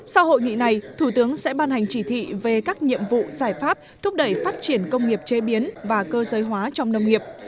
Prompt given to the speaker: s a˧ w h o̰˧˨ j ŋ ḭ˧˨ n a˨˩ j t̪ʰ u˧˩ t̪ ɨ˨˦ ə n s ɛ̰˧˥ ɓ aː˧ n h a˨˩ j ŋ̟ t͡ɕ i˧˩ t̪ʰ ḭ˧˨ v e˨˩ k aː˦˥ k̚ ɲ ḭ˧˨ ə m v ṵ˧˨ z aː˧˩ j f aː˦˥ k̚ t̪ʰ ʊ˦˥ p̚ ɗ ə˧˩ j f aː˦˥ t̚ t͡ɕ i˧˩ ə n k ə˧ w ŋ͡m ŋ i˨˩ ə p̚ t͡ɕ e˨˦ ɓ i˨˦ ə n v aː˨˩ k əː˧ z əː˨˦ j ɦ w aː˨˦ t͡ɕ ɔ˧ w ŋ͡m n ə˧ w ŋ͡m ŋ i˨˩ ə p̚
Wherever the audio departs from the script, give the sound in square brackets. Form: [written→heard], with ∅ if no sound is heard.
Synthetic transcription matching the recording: s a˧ w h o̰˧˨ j ŋ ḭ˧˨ n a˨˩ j t̪ʰ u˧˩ t̪ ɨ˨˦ ə [n→ŋ] s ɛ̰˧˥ ɓ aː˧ n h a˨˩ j ŋ̟ t͡ɕ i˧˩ t̪ʰ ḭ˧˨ v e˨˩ k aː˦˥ k̚ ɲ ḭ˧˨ ə m v ṵ˧˨ z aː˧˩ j f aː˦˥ [k̚→p̚] t̪ʰ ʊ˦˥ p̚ ɗ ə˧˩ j f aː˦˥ t̚ t͡ɕ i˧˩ ə n k ə˧ w ŋ͡m ŋ i˨˩ ə p̚ t͡ɕ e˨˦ ɓ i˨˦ ə n v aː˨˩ k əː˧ z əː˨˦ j ɦ w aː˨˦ t͡ɕ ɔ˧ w ŋ͡m n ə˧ w ŋ͡m ŋ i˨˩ ə p̚

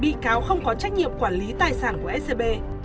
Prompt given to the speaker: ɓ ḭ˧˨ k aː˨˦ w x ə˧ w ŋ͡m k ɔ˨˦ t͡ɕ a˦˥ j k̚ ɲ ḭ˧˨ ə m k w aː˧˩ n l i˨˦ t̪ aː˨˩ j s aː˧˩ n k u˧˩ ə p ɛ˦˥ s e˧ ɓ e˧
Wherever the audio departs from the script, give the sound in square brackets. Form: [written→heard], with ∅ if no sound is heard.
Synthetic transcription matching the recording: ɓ ḭ˧˨ k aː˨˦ w x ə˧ w ŋ͡m k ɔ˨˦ t͡ɕ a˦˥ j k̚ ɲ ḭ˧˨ ə m k w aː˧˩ n l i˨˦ t̪ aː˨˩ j s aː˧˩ n k u˧˩ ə [p→ʔ] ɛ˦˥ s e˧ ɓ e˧

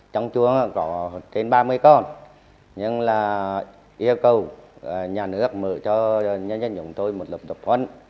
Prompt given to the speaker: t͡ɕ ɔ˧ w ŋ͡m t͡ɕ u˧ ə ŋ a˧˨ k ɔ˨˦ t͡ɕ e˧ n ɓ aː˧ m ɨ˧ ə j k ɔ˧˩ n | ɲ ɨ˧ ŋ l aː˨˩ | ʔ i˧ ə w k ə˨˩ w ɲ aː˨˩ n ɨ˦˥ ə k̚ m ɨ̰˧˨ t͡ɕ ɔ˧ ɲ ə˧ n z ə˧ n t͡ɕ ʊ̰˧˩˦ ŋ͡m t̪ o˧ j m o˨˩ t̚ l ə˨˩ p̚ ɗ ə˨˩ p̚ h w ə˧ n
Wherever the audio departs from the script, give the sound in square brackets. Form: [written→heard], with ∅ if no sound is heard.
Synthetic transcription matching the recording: t͡ɕ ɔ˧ w ŋ͡m t͡ɕ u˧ ə ŋ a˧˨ k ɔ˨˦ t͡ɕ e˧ n ɓ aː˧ m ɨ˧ ə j k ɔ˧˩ n | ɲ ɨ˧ ŋ l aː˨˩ | ʔ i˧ ə w k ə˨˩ w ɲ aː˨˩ n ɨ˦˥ ə k̚ m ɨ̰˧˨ t͡ɕ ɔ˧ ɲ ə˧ n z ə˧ n t͡ɕ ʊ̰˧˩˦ ŋ͡m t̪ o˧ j m o˨˩ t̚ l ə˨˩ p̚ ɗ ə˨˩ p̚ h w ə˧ n

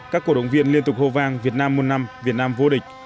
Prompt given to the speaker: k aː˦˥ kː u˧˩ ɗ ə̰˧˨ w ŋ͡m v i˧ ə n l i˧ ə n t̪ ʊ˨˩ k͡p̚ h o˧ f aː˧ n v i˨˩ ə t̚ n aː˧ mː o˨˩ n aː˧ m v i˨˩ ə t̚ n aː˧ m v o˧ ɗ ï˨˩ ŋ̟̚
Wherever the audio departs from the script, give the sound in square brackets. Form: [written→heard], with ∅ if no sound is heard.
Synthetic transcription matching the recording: k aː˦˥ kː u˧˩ ɗ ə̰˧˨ w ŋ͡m v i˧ ə n l i˧ ə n t̪ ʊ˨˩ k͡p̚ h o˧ [f→v] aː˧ [n→ŋ] v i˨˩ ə t̚ n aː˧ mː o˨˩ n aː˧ m v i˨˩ ə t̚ n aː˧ m v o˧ ɗ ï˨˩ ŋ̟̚

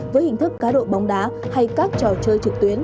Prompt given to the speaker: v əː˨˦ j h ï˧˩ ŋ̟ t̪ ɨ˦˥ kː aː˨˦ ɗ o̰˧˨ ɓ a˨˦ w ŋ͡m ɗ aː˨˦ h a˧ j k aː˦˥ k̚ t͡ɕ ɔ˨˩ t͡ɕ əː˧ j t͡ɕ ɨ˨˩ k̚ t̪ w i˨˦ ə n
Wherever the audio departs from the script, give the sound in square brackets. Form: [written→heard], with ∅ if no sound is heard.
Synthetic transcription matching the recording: v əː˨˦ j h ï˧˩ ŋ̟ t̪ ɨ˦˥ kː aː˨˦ ɗ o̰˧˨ ɓ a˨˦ w ŋ͡m ɗ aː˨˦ h a˧ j k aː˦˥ k̚ t͡ɕ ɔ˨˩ t͡ɕ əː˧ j t͡ɕ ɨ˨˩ k̚ t̪ w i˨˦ ə n

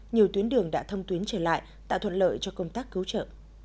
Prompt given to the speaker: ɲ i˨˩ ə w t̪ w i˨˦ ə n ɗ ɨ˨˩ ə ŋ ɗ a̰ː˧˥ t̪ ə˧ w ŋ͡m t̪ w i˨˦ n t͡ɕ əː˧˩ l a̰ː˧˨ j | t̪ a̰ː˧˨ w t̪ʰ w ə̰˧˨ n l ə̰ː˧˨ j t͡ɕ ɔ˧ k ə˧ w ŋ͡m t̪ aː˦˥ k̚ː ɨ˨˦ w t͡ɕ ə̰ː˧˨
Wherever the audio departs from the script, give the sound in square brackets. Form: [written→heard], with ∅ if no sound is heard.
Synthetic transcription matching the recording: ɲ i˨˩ ə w t̪ w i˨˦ ə n ɗ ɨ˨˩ ə ŋ ɗ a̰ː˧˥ [t̪→t̪ʰ] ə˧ w ŋ͡m t̪ w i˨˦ n t͡ɕ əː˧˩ l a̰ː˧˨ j | t̪ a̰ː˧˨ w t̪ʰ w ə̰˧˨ n l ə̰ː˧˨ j t͡ɕ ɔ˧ k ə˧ w ŋ͡m t̪ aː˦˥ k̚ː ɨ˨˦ w t͡ɕ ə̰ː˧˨

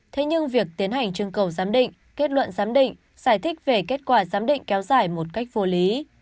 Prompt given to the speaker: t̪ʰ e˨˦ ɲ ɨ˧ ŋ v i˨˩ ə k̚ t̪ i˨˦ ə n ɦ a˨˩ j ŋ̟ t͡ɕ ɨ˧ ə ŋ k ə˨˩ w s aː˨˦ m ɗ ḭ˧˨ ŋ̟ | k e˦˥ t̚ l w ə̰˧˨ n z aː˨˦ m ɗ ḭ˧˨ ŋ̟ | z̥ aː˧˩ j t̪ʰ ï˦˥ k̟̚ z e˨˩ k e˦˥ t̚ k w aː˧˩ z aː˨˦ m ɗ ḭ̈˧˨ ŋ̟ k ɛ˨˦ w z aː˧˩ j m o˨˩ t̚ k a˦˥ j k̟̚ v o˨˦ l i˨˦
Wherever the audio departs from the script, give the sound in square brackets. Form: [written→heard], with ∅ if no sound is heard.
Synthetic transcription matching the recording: t̪ʰ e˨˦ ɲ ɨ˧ ŋ v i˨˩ ə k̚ t̪ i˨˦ ə n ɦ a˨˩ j ŋ̟ t͡ɕ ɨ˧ ə ŋ k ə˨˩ w [s→z] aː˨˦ m ɗ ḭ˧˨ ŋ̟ | k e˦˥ t̚ l w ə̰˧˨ n z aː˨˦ m ɗ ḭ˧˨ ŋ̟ | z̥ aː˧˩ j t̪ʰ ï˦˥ k̟̚ [z→v] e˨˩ k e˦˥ t̚ k w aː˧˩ z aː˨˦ m ɗ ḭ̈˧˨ ŋ̟ k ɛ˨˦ w z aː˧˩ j m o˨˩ t̚ k a˦˥ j k̟̚ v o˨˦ l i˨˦

